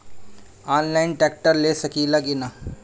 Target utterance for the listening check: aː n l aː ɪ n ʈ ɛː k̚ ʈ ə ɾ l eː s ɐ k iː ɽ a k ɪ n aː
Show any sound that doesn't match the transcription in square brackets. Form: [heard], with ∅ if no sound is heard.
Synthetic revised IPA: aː n l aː ɪ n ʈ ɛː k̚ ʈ ə ɾ l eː s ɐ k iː [l] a [ɡ] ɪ n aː